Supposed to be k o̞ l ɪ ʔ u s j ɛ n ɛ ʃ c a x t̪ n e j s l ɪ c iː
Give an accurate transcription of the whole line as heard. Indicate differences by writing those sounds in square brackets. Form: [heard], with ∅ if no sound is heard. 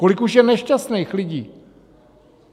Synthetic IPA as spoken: k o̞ l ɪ [k] u [ʃ] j ɛ n ɛ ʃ c a [s] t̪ n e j [x] l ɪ [ɟ] iː